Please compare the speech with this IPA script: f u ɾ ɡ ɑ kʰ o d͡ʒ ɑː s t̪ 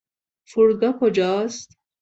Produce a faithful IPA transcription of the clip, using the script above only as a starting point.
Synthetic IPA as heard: f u ɾ ɡ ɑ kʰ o d͡ʒ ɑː s t̪